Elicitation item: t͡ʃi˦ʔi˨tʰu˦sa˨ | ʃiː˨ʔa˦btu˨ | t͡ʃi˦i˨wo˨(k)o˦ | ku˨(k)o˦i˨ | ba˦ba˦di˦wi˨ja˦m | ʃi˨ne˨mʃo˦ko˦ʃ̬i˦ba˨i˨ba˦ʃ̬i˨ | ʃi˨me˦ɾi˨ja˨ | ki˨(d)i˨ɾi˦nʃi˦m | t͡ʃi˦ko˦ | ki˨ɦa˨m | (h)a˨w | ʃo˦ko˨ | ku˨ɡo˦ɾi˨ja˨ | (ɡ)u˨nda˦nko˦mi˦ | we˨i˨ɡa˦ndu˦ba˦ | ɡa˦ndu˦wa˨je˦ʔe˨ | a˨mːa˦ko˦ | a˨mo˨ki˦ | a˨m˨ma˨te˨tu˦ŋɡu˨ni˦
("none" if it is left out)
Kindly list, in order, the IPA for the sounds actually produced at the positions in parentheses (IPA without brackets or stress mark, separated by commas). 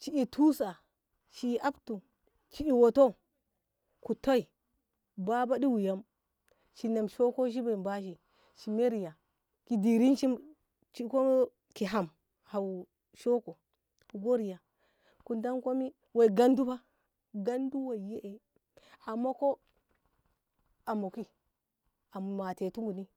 t, t, d, h, k